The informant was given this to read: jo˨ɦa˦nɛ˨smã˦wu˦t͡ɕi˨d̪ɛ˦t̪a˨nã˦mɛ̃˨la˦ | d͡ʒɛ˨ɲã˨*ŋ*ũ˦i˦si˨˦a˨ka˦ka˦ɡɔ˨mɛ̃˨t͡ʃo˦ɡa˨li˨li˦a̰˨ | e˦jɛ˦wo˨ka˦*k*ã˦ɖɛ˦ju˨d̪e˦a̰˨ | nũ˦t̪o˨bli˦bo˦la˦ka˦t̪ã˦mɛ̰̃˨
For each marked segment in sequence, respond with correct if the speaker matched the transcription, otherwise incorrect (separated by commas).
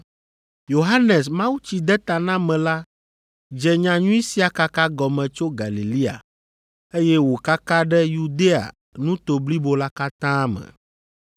incorrect, correct